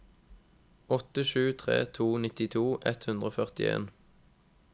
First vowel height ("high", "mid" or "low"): mid